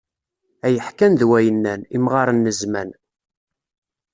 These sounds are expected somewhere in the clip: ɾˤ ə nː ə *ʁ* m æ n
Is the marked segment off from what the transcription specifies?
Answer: yes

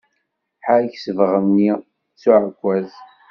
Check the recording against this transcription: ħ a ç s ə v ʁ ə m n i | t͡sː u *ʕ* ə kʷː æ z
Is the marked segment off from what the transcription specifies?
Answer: no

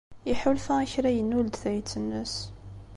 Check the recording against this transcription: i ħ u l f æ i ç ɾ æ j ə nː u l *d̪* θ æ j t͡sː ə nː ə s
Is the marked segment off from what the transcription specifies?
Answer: no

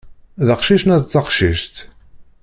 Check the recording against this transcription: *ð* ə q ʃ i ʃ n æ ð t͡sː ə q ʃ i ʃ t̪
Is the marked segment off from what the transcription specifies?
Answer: no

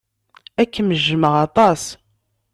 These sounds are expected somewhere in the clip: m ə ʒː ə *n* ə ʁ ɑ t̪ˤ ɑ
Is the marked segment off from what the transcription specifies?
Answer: yes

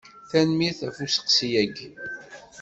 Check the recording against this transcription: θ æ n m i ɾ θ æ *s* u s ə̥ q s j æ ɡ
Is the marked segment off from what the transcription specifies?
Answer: yes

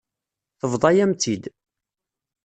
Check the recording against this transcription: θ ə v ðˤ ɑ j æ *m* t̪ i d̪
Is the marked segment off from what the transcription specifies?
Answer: no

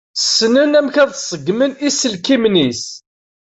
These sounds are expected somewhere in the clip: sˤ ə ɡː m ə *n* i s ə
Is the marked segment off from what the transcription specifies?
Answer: no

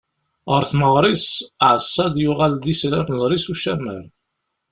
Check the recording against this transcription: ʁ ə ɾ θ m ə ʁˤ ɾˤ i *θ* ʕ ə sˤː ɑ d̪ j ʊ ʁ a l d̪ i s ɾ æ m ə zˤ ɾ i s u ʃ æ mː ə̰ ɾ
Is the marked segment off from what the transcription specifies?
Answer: yes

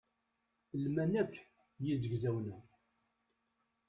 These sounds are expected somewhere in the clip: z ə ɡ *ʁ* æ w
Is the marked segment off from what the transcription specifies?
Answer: yes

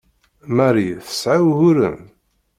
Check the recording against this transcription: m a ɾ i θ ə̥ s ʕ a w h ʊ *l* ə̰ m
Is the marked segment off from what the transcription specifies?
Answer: yes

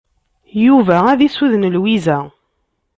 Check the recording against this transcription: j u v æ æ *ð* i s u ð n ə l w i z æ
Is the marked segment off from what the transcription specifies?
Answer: no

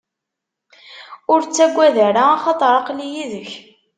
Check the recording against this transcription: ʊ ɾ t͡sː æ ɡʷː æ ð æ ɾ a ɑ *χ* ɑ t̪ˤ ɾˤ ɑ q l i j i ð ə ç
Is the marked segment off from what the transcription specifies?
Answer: no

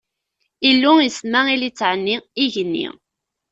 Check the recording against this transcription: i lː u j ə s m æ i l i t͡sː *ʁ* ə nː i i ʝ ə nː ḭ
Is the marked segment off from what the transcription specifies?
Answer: yes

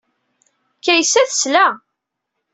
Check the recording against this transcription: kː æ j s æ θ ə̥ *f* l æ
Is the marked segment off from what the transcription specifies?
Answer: yes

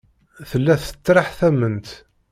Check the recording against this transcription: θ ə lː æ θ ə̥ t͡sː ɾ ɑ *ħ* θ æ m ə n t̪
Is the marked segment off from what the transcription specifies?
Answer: no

